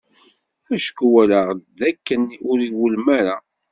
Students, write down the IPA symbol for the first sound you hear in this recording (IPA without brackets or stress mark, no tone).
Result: æ